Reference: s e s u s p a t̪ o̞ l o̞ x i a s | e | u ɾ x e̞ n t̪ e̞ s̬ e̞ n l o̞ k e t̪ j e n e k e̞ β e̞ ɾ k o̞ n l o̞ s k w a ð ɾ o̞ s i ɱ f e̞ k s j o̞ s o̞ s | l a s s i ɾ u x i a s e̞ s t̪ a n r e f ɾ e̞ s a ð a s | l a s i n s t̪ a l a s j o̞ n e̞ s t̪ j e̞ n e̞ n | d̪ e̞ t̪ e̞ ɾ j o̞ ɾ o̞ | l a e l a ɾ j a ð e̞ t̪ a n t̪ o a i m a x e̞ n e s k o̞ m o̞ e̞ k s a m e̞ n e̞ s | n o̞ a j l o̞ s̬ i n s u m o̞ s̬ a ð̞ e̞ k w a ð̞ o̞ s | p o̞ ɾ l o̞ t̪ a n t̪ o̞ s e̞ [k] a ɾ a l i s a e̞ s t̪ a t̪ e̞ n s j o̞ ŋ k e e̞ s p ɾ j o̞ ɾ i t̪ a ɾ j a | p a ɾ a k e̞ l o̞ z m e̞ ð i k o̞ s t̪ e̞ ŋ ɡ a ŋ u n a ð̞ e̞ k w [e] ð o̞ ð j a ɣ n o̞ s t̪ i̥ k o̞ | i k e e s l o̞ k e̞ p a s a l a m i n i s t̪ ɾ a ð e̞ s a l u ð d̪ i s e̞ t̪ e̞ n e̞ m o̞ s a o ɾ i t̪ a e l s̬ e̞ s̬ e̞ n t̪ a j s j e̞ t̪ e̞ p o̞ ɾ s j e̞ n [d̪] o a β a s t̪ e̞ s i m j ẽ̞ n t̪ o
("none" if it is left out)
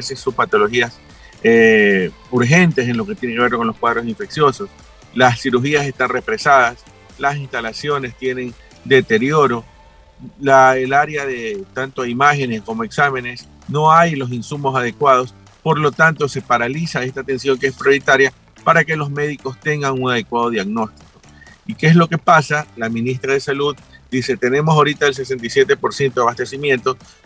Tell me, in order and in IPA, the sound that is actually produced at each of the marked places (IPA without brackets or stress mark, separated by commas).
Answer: p, a, t̪